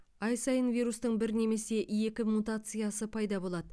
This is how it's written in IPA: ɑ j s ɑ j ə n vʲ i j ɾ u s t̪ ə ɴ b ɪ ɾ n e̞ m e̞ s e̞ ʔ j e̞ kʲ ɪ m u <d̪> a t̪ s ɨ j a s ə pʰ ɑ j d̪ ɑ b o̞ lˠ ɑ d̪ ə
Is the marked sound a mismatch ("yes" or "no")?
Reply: yes